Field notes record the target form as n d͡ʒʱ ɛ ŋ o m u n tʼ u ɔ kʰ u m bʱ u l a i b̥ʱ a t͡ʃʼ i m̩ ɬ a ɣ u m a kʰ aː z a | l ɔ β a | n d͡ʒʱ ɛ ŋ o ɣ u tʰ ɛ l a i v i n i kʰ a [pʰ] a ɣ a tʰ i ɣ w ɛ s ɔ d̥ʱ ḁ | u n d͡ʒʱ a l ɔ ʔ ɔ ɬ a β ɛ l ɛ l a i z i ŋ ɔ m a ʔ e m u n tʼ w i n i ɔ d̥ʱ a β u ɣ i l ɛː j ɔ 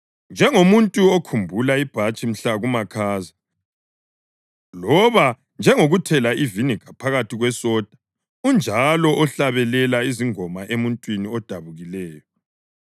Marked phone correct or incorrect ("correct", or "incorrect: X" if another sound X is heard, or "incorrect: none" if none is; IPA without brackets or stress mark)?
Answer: correct